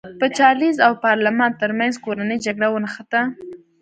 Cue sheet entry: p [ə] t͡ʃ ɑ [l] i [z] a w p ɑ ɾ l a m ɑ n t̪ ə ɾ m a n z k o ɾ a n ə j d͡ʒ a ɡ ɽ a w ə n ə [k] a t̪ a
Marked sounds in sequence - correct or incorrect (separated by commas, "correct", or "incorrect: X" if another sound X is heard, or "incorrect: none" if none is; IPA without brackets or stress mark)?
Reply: correct, correct, correct, incorrect: x